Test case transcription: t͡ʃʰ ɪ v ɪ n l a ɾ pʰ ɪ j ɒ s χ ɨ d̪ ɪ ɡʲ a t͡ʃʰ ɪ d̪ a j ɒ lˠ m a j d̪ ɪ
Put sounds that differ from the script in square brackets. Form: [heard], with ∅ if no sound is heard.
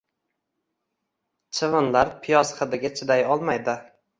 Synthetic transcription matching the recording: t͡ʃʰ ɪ v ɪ n l a ɾ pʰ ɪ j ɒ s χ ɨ d̪ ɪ ɡʲ a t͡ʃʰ ɪ d̪ a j ɒ lˠ m a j d̪ ɪ